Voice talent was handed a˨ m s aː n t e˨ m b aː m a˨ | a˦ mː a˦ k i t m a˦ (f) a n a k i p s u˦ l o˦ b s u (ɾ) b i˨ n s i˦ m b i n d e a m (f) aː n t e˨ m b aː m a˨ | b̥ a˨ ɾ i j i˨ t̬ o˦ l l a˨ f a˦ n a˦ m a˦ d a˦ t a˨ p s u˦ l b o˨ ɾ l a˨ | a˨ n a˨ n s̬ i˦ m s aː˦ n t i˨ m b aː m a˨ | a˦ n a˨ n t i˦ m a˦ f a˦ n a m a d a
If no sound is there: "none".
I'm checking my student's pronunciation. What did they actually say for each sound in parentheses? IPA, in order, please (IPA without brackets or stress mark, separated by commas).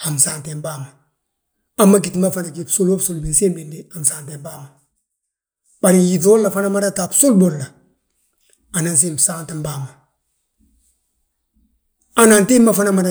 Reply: f, l, s